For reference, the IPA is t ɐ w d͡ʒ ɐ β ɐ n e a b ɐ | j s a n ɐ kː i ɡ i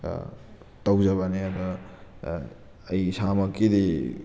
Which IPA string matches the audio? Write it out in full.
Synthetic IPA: t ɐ w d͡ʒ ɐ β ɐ n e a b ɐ | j s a m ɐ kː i d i